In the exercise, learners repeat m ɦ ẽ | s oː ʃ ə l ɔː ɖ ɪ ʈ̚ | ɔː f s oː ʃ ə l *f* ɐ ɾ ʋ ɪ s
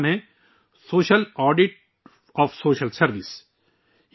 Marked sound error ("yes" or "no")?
yes